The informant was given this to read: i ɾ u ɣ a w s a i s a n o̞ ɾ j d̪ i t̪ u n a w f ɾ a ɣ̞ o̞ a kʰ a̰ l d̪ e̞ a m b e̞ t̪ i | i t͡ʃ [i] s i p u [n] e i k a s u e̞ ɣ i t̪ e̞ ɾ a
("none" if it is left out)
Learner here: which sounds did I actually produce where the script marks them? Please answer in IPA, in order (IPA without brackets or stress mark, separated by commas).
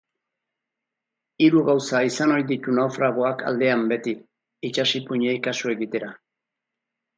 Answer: a, ɲ